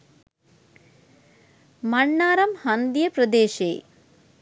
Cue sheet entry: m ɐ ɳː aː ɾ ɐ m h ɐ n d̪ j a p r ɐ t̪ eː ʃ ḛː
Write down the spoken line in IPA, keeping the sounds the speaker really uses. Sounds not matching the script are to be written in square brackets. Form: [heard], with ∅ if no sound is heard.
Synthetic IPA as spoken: m ɐ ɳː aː ɾ ɐ m h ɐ n d̪ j [ɐ] p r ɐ [d̪] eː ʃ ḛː